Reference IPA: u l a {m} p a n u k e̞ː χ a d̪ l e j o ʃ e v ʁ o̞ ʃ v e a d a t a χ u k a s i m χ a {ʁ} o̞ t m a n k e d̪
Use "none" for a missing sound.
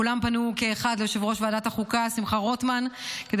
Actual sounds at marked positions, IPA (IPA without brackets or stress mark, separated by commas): m, ʁ